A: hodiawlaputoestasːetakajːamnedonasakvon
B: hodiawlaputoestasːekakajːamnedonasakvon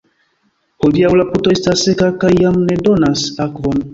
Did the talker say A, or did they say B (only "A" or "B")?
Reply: B